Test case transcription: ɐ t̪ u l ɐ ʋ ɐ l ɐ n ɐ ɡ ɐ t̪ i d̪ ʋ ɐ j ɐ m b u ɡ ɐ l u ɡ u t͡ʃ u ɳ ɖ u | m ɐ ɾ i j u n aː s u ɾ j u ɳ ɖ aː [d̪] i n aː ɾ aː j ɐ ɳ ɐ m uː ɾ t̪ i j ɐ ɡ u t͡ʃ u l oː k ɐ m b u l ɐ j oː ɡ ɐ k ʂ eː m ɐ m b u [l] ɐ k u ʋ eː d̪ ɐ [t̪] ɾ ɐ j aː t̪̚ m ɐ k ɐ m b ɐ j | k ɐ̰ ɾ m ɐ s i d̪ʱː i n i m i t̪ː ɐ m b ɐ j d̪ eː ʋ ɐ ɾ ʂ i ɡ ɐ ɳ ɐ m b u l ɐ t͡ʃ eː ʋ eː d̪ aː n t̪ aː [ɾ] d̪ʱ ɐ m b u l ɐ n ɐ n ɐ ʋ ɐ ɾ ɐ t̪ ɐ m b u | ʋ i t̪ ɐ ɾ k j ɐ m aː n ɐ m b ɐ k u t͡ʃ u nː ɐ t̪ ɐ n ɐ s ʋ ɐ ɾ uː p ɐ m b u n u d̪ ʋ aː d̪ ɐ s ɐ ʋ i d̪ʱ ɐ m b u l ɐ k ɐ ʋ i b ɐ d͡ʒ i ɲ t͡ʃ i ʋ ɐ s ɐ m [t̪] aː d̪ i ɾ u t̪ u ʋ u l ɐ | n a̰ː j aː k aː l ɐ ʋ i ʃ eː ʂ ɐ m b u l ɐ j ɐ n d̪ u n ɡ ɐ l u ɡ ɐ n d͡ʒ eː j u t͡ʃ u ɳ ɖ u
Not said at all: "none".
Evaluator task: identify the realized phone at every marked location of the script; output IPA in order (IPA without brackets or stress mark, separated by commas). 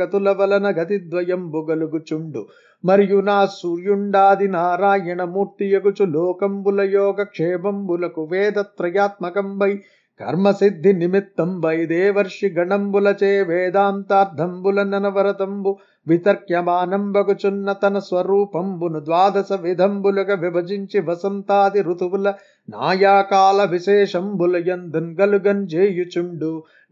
d̪, l, t̪, ɾ, t̪